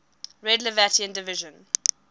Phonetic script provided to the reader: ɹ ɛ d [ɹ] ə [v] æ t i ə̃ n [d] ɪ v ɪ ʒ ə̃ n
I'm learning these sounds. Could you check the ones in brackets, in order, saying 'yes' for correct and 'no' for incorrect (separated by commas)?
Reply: no, yes, yes